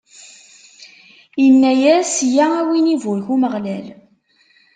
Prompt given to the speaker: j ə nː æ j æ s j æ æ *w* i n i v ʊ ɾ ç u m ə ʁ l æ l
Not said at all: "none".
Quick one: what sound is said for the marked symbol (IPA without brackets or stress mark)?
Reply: w